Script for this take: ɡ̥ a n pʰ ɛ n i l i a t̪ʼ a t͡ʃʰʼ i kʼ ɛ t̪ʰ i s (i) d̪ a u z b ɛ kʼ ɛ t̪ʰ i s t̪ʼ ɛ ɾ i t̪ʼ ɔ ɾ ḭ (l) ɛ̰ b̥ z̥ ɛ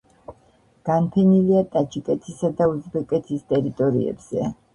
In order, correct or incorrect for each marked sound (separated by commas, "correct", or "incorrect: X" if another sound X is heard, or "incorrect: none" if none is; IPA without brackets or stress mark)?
incorrect: a, incorrect: none